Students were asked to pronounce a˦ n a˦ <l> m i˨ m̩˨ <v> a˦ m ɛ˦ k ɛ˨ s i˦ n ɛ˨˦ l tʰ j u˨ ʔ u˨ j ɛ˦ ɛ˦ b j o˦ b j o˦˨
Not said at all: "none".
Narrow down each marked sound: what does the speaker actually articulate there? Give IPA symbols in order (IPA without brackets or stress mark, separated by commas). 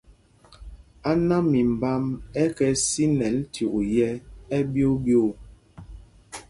none, b